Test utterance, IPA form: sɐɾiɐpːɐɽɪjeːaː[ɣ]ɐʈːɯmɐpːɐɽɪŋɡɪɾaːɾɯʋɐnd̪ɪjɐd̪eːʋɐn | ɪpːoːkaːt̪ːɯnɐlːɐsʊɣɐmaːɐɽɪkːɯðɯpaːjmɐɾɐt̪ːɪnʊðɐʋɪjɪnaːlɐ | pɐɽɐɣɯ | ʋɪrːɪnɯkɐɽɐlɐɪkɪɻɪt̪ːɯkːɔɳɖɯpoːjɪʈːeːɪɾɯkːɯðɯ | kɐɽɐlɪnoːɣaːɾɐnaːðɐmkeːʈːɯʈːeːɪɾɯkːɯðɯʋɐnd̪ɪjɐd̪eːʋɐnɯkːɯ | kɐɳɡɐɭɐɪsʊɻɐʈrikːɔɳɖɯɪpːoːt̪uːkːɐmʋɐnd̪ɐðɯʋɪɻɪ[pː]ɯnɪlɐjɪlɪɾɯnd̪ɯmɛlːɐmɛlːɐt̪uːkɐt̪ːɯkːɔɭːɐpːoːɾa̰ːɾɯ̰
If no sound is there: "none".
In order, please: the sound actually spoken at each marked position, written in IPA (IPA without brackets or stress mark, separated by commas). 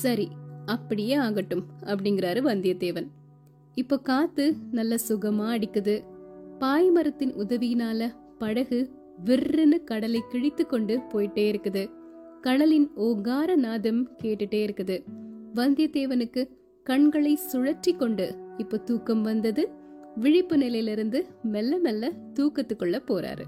ɣ, pː